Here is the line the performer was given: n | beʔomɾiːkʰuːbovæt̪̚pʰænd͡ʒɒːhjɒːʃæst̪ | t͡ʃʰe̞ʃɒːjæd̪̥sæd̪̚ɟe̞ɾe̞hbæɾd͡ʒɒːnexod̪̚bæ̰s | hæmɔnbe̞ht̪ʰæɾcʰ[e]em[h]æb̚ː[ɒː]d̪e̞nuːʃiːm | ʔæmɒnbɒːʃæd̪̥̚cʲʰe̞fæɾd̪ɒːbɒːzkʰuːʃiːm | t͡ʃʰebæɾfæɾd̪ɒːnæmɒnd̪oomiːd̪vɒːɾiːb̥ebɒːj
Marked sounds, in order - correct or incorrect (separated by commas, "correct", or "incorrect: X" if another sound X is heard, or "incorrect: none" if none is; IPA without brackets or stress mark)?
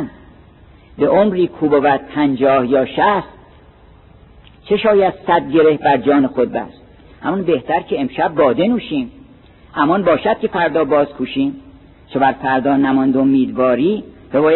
correct, incorrect: ʃ, correct